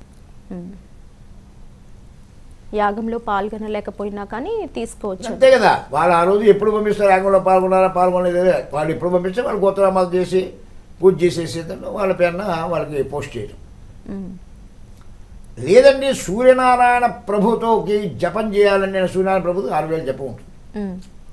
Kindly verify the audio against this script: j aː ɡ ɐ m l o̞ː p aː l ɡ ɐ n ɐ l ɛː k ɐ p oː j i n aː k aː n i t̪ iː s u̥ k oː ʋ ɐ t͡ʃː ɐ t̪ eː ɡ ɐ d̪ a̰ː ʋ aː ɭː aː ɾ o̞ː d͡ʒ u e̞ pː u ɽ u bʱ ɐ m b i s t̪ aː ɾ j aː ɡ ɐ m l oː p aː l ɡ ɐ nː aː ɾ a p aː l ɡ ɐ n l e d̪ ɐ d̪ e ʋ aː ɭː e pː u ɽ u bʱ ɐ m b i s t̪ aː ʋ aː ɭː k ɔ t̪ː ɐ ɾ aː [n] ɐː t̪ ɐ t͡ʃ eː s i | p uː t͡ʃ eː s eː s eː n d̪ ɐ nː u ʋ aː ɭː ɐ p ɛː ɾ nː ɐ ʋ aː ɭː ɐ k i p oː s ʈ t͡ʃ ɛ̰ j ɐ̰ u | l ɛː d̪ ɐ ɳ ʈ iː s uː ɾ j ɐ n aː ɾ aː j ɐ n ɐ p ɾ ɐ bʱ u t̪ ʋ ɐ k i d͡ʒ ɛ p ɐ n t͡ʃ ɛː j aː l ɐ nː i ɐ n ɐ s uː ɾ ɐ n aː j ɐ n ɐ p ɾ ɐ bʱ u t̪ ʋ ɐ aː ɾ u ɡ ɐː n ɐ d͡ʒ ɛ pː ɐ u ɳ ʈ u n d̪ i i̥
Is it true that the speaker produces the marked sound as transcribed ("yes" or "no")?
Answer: no